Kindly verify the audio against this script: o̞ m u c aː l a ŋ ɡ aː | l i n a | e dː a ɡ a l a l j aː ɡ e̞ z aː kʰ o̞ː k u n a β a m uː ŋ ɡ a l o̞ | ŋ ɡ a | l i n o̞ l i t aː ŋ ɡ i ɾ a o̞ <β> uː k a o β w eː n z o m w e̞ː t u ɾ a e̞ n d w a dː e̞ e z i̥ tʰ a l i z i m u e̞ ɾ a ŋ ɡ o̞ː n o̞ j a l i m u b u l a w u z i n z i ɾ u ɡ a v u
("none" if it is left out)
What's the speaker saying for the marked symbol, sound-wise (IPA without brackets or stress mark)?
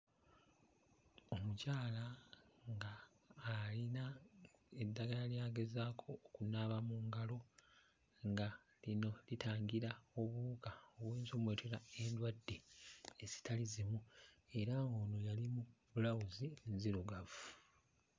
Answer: β